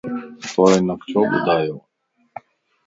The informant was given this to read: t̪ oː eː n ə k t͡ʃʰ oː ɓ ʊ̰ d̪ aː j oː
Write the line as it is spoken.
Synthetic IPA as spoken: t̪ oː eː n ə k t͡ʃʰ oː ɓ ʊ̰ d̪ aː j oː